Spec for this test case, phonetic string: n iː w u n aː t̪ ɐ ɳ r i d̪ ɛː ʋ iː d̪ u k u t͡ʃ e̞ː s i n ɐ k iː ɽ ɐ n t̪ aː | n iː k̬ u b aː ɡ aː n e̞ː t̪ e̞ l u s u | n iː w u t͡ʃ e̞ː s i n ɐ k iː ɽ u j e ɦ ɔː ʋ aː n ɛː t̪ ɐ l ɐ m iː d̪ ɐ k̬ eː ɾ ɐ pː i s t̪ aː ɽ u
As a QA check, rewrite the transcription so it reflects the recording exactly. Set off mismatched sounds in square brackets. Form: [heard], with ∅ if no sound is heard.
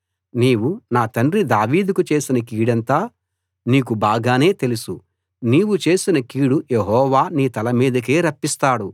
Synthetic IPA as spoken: n iː w u n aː t̪ ɐ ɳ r i d̪ [aː] ʋ iː d̪ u k u t͡ʃ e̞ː s i n ɐ k iː ɽ ɐ n t̪ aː | n iː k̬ u b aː ɡ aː n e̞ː t̪ e̞ l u s u | n iː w u t͡ʃ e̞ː s i n ɐ k iː ɽ u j e ɦ ɔː ʋ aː n [iː] t̪ ɐ l ɐ m iː d̪ ɐ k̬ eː ɾ ɐ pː i s t̪ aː ɽ u